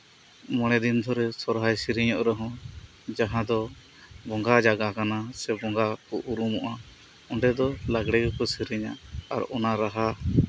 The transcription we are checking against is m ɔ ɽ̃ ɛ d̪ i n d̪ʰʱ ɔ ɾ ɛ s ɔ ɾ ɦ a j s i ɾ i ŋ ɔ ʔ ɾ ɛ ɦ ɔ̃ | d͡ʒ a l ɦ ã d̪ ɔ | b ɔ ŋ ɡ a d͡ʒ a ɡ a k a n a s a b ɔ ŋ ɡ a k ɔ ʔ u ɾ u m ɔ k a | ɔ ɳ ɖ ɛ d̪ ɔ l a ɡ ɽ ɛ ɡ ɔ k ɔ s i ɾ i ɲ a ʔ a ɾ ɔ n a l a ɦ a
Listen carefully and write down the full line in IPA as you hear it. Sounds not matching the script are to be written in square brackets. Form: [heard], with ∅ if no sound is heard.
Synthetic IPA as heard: m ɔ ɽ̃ ɛ d̪ i n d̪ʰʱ ɔ ɾ ɛ s ɔ ɾ ɦ a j s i ɾ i [ɲ] ɔ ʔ ɾ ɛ ɦ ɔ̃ | d͡ʒ a [∅] ɦ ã d̪ ɔ | b ɔ ŋ ɡ a d͡ʒ a ɡ a k a n a s [ɛ] b ɔ ŋ ɡ a k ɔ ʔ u ɾ u m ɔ [ʔ] a | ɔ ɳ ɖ ɛ d̪ ɔ l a ɡ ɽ ɛ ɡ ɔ k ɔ s i ɾ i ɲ a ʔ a ɾ ɔ n a [ɾ] a ɦ a